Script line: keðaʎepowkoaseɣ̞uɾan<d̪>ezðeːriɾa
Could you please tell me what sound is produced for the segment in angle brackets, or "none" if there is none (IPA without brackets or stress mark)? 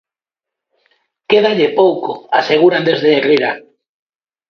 d̪